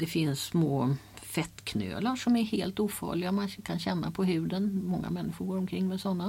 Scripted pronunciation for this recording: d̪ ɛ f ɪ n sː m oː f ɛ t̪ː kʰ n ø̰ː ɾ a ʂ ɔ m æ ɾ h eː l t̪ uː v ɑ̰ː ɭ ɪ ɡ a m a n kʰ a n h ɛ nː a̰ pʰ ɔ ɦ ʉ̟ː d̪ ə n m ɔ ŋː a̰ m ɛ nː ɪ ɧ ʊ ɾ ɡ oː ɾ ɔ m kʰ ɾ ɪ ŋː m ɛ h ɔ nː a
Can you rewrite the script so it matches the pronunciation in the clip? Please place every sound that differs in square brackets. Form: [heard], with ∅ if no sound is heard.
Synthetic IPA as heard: d̪ ɛ f ɪ n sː m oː f ɛ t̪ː kʰ n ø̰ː [l] a ʂ ɔ m æ ɾ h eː l t̪ uː [f] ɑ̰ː ɭ ɪ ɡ a m a n kʰ a n [ɕ] ɛ nː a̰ pʰ ɔ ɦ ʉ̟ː d̪ ə n m ɔ ŋː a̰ m ɛ nː ɪ ɧ ʊ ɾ ɡ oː ɾ ɔ m kʰ ɾ ɪ ŋː m ɛ [s] ɔ nː a